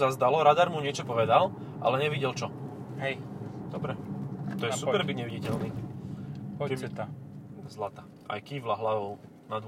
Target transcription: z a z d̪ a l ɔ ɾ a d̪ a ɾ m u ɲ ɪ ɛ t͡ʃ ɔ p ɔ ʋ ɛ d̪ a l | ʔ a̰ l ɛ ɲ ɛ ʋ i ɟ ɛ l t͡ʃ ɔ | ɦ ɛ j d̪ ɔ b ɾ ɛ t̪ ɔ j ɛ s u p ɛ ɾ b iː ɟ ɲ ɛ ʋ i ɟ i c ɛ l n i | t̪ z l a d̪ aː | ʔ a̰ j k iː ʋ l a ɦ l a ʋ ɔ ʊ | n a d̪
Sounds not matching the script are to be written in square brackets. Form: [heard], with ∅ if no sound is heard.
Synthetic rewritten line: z a z d̪ a l ɔ ɾ a d̪ a ɾ m u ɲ ɪ ɛ t͡ʃ ɔ p ɔ ʋ ɛ d̪ a l | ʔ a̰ l ɛ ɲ ɛ ʋ i ɟ ɛ l t͡ʃ ɔ | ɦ ɛ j d̪ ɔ b ɾ ɛ t̪ ɔ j ɛ s u p ɛ ɾ b [i] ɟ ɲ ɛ ʋ i ɟ i c ɛ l n i | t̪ z l a [t̪] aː | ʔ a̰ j k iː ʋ l a ɦ l a ʋ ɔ ʊ | n a d̪